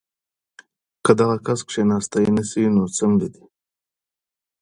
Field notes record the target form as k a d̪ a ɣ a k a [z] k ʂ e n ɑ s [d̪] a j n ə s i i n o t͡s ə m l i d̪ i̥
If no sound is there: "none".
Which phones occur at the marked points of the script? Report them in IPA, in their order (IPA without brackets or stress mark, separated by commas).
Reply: s, t̪